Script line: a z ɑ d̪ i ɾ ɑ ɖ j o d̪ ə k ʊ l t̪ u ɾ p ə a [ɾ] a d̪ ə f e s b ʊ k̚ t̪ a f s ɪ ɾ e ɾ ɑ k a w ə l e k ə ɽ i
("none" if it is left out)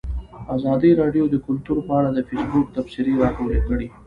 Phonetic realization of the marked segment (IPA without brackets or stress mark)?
ɽ